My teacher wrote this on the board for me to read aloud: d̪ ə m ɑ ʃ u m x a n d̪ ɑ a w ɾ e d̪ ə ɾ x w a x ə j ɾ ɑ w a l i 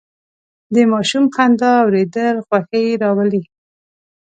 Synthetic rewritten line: d̪ ə m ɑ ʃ u m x a n d̪ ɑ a w ɾ e d̪ ə l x w a x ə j ɾ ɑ w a l i